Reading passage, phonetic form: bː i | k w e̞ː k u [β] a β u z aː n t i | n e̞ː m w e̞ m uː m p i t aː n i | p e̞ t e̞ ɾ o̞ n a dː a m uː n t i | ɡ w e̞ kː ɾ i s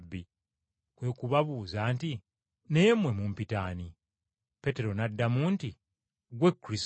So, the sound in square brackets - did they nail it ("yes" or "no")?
yes